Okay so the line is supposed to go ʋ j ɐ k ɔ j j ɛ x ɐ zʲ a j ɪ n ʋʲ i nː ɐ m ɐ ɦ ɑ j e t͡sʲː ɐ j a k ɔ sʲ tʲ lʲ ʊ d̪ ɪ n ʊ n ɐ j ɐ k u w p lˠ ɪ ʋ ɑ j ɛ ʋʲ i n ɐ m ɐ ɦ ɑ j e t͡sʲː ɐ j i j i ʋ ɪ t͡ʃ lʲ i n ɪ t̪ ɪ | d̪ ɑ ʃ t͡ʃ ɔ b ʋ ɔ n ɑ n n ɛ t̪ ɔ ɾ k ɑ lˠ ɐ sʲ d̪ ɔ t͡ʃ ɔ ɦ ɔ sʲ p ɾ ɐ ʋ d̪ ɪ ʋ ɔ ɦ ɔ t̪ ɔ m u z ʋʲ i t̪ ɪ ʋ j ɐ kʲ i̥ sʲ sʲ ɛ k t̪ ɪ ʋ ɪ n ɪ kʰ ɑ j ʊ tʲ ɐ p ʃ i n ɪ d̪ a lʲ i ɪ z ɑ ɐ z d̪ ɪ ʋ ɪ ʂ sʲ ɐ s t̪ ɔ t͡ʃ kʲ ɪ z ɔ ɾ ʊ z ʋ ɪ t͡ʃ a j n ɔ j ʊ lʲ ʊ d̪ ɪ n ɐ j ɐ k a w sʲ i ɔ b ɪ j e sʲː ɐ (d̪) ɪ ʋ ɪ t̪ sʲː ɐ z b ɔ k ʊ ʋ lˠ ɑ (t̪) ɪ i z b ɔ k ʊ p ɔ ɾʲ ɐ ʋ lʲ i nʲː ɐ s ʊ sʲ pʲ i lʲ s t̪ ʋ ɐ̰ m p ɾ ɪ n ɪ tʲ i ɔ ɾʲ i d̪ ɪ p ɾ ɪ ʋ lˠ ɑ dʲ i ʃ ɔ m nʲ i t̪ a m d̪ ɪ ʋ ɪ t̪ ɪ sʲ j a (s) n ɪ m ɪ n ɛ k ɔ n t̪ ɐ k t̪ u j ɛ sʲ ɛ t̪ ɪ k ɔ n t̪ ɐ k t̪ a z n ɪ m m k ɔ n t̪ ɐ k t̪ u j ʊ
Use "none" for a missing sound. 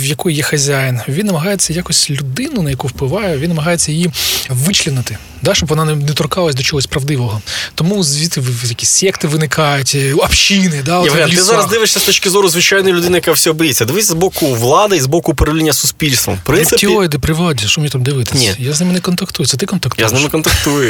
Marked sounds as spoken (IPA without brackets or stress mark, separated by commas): d̪, d̪, z